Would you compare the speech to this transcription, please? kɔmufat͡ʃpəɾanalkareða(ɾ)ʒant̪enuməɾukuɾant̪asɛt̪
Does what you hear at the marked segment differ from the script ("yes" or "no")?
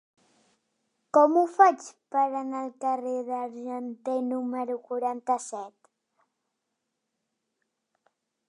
no